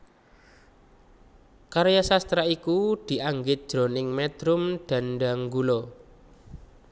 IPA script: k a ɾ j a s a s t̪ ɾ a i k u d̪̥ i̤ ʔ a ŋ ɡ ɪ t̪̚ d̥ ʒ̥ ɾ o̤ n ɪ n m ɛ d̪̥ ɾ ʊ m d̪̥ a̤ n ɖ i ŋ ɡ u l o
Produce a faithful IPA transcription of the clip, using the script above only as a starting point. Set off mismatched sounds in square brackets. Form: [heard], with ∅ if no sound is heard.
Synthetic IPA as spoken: k a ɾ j a s a s t̪ ɾ a i k u d̪̥ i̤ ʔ a ŋ ɡ ɪ t̪̚ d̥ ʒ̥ ɾ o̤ n ɪ [ŋ] m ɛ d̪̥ ɾ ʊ m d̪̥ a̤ n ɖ [a] ŋ ɡ u l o